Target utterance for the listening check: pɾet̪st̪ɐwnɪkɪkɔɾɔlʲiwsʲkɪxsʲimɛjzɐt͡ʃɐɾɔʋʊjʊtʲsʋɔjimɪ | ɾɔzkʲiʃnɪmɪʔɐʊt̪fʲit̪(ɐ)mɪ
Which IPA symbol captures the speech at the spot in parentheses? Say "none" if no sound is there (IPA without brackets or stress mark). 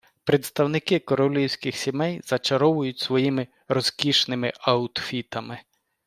ɐ